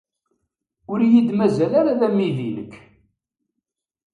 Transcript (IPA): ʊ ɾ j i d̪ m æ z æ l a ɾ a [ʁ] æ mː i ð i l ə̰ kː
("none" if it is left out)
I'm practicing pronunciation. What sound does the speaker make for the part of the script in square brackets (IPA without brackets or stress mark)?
ð